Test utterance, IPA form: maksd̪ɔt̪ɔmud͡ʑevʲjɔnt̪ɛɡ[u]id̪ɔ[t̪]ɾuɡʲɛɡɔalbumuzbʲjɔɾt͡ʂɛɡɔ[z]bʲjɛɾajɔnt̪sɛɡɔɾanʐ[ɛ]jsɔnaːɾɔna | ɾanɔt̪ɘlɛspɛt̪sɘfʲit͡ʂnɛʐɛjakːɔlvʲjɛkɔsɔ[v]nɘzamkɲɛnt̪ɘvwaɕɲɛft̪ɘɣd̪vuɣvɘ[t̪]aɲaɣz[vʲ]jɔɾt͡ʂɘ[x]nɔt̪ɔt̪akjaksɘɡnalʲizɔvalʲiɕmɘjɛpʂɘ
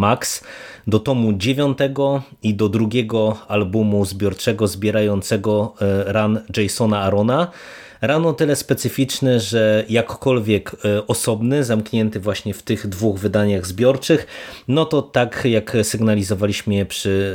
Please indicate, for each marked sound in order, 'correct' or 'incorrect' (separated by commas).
incorrect, incorrect, correct, correct, incorrect, incorrect, incorrect, correct